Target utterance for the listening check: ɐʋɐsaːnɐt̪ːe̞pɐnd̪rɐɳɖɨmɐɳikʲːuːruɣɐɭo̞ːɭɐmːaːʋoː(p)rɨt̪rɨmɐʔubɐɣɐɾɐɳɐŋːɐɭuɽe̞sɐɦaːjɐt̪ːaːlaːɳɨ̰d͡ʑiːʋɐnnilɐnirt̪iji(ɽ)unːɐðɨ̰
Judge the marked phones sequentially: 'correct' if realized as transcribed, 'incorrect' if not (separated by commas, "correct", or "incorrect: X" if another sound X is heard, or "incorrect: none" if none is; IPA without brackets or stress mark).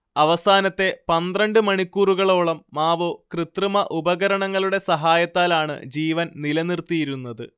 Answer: incorrect: k, incorrect: ɾ